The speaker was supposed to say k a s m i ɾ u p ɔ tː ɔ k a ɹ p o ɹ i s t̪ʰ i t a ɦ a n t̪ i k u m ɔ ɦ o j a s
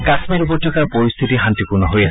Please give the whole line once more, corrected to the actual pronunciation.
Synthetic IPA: k a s m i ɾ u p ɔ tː ɔ k a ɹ p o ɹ i s t̪ʰ i t i ɦ a n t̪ i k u n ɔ ɦ o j a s